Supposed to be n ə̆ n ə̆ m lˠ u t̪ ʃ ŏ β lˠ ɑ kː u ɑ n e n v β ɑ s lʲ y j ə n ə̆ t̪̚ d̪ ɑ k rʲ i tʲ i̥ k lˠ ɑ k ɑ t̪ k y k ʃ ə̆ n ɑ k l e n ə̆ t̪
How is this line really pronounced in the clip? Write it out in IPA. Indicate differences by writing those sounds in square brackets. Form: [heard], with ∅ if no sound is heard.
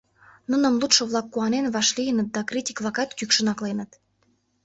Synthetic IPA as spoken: n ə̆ n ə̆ m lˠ u t̪ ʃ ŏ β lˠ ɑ kː u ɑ n e n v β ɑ [ʃ] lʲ [i] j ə n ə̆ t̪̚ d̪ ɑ k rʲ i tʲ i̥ k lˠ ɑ k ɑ t̪ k y k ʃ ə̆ n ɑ k l e n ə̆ t̪